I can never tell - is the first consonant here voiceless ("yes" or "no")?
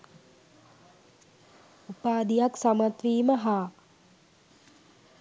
yes